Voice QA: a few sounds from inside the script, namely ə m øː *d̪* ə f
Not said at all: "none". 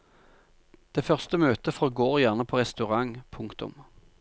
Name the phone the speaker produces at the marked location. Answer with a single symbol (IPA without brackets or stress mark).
t̪